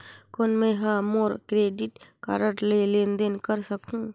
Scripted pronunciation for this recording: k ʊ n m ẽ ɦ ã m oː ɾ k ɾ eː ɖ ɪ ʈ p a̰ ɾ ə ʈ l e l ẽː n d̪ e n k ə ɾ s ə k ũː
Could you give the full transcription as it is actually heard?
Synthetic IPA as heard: k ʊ n m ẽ ɦ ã m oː ɾ k ɾ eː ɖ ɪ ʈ k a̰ ɾ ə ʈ l e l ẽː n d̪ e n k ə ɾ s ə k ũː